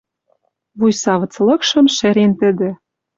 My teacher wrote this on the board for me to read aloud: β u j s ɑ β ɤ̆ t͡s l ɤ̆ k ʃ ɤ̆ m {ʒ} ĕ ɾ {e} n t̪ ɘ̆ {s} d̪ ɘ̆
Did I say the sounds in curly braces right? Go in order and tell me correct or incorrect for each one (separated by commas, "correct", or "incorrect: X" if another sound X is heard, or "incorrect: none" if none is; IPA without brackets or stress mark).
incorrect: ʃ, correct, incorrect: none